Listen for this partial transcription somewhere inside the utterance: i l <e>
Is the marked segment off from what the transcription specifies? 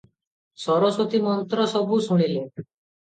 no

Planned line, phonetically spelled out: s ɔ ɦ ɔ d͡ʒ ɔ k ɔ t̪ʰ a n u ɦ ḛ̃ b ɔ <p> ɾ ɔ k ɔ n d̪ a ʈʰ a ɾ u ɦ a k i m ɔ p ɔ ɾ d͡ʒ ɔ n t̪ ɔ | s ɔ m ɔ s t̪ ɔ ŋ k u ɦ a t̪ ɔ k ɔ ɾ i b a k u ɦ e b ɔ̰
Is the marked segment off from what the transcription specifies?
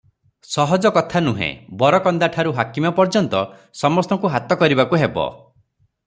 yes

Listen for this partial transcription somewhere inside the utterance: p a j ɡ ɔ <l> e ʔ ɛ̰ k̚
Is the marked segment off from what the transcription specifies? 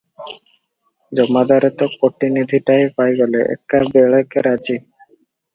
no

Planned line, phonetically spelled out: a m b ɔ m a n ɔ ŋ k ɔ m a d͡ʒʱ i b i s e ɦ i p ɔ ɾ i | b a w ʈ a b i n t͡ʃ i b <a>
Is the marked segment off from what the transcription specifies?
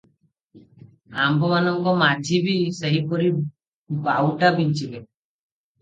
yes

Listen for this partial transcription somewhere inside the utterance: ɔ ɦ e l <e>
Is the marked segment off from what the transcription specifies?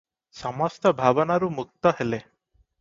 no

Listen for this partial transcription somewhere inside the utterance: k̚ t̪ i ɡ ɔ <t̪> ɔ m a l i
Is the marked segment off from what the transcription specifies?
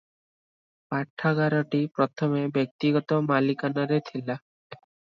no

